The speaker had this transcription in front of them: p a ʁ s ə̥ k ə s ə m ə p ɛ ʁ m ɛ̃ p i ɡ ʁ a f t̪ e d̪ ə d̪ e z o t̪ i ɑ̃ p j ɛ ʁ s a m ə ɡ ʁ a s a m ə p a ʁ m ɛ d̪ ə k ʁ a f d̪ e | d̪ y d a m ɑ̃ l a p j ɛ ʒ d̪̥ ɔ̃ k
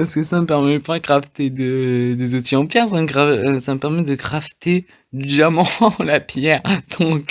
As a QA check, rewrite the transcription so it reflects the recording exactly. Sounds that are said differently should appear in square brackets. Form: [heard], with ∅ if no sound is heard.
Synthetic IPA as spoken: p a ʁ s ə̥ k ə s [a] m ə p ɛ ʁ m [ɛ] p [a] ɡ ʁ a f t̪ e d̪ ə d̪ e z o t̪ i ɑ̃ p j ɛ ʁ s a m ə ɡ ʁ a s a m ə p [ɛ] ʁ m ɛ d̪ ə [ɡ] ʁ a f [t̪] e | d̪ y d a m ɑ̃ l a p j ɛ [ʁ] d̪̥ ɔ̃ k